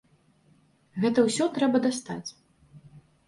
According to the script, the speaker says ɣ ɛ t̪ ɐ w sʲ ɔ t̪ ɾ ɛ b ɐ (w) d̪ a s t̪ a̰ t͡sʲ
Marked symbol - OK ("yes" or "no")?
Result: no